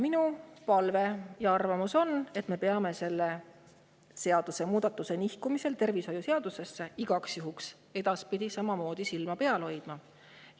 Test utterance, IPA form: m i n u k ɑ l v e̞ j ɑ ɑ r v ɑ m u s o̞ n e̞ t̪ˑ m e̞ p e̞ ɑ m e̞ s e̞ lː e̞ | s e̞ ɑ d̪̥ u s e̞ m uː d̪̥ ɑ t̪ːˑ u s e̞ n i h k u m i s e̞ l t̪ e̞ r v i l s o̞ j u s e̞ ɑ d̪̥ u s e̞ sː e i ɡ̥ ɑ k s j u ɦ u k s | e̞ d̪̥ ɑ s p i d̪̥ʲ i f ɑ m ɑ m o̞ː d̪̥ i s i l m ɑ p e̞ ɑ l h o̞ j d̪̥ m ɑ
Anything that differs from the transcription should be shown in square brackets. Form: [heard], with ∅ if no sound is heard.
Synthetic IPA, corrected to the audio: m i n u [p] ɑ l v e̞ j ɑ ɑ r v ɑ m u s o̞ n e̞ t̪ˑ m e̞ p e̞ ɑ m e̞ s e̞ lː e̞ | s e̞ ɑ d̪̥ u s e̞ m uː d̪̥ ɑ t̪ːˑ u s e̞ n i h k u m i s e̞ l t̪ e̞ r v i [∅] s o̞ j u s e̞ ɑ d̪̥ u s e̞ sː e i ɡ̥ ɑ k s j u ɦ u k s | e̞ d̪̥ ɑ s p i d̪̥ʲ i [s] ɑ m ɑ m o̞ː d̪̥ i s i l m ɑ p e̞ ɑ l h o̞ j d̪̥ m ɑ